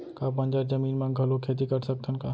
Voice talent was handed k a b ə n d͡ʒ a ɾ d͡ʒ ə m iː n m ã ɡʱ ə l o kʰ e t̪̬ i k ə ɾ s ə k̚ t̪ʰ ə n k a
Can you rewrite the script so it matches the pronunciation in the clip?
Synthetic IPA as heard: k a b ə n d͡ʒ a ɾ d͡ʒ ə m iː n m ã ɡʱ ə l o kʰ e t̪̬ i k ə ɾ s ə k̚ t̪ʰ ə n k a